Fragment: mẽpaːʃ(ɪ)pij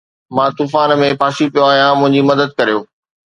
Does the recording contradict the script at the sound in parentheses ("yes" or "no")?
yes